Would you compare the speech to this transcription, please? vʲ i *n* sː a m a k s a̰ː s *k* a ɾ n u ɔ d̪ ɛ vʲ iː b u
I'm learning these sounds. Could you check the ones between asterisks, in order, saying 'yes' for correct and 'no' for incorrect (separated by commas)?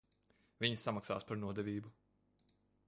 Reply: no, no